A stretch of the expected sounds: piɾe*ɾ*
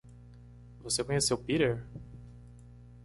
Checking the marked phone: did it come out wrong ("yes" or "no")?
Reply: no